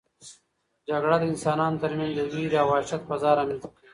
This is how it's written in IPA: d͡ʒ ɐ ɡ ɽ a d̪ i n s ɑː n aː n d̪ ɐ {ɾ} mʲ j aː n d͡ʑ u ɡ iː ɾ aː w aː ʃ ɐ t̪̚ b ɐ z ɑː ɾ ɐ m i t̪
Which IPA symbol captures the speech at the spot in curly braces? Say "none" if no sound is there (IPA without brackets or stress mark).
ɾ